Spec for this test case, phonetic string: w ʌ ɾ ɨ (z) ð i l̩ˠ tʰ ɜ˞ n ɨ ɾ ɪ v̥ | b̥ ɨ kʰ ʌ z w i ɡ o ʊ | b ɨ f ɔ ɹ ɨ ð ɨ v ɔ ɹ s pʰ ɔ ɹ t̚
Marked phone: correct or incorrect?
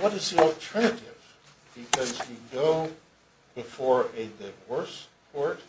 correct